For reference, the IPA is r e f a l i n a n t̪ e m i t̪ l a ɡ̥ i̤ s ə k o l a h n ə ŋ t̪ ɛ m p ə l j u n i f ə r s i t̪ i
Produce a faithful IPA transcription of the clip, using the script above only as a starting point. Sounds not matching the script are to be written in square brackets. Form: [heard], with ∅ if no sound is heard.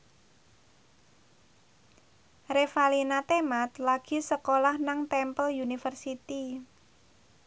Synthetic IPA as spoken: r e f a l i n a [∅] t̪ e m [a] t̪ l a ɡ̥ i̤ s ə k o l a h n [a] ŋ t̪ ɛ m p ə l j u n i f ə r s i t̪ i